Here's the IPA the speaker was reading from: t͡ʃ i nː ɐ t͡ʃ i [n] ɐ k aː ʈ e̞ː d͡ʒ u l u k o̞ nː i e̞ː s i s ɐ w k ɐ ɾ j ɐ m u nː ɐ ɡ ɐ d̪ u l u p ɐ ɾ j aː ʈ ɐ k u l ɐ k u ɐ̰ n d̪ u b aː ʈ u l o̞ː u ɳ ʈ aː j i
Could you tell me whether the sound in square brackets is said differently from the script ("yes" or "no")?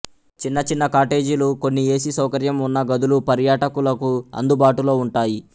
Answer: yes